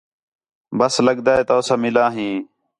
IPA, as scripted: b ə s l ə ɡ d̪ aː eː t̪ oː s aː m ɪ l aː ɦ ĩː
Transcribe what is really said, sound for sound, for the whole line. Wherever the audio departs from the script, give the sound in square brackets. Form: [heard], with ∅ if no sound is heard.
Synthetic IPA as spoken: b ə s l ə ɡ d̪ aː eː t̪ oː s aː m ɪ l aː ɦ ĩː

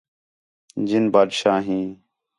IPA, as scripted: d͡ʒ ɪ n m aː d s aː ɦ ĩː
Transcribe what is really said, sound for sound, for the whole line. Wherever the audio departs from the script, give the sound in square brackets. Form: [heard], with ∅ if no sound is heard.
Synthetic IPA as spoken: d͡ʒ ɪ n [b] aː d [ʃ] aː ɦ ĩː

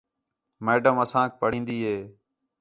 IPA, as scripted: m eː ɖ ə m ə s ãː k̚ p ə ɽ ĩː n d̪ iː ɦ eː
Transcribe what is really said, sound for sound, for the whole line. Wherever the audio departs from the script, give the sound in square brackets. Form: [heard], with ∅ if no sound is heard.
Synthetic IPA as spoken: m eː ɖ ə m ə s ãː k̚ p ə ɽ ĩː n d̪ iː ɦ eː

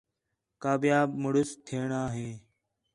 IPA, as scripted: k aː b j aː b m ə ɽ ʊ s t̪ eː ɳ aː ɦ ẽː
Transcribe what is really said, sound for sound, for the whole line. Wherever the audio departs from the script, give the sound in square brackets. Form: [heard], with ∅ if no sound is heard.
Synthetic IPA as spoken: k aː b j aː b m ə ɽ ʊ s [t̪ʰ] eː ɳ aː ɦ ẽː

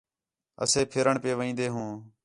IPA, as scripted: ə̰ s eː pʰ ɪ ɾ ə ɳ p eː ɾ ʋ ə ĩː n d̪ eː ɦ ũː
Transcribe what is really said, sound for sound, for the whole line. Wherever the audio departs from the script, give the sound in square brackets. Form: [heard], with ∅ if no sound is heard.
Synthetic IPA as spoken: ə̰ s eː pʰ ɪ ɾ ə ɳ p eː [∅] ʋ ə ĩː n d̪ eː ɦ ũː

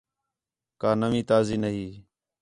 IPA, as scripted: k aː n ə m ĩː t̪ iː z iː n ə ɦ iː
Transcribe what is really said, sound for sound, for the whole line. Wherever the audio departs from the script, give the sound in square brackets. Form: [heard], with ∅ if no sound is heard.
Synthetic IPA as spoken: k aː n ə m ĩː t̪ [aː] z iː n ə ɦ iː

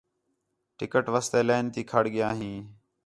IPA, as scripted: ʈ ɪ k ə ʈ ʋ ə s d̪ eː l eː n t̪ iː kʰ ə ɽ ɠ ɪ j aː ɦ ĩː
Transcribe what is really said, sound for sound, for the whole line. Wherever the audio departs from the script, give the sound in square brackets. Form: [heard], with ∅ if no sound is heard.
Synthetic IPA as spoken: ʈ ɪ k ə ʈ ʋ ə s [t̪] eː l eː n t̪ iː kʰ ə ɽ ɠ ɪ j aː ɦ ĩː

